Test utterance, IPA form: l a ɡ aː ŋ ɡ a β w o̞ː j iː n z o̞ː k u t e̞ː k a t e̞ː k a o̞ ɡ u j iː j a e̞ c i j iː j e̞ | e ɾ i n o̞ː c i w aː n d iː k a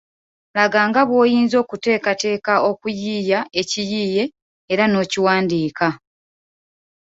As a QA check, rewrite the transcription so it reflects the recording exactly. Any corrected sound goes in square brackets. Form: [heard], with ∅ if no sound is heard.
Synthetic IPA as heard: l a ɡ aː ŋ ɡ a β w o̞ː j iː n z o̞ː k u t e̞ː k a t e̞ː k a o̞ [k] u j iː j a e̞ c i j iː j e̞ | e ɾ [a] n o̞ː c i w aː n d iː k a